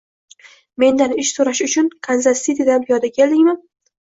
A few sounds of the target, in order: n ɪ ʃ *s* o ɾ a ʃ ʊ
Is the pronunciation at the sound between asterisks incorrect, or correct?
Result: correct